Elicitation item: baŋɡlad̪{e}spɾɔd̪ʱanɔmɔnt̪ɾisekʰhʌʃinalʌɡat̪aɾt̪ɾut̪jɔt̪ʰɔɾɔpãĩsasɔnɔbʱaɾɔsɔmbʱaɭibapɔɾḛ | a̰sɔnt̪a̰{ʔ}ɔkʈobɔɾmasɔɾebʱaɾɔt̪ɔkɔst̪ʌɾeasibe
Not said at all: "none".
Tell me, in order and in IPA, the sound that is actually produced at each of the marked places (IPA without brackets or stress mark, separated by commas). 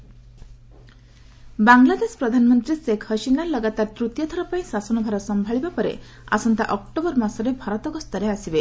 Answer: e, ʔ